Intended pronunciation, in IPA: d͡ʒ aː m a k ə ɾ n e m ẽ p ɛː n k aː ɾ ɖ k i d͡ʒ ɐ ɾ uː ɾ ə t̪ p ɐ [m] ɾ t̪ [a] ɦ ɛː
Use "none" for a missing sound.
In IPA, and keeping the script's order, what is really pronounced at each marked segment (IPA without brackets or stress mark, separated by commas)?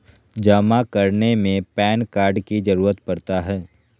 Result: none, a